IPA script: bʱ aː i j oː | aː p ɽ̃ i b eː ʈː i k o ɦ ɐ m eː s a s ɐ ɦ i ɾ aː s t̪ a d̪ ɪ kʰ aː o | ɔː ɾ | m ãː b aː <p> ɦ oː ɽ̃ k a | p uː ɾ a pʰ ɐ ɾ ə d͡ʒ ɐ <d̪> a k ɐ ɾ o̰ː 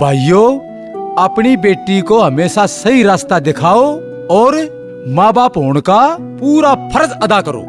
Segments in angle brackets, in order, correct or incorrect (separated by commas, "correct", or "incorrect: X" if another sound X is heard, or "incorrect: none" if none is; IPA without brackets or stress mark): correct, correct